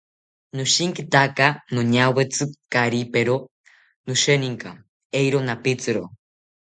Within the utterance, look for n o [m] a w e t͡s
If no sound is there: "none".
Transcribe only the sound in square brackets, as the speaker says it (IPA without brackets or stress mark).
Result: ɲ